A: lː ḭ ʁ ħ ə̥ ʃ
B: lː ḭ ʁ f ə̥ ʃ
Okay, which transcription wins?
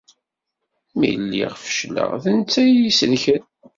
B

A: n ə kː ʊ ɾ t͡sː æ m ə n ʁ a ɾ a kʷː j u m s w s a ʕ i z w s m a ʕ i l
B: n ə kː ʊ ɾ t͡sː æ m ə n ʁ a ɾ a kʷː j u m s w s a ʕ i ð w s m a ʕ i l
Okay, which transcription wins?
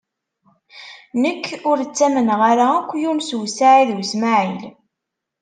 B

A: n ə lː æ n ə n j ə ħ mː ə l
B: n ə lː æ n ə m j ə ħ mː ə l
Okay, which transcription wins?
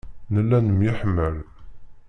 B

